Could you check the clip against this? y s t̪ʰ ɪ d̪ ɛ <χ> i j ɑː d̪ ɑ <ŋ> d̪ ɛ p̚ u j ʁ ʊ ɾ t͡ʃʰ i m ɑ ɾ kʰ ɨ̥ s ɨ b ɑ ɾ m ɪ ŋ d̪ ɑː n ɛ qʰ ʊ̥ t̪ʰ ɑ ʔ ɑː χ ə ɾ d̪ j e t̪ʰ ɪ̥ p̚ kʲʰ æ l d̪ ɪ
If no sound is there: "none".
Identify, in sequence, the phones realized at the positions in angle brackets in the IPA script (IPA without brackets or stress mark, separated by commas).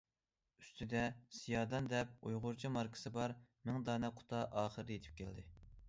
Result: s, n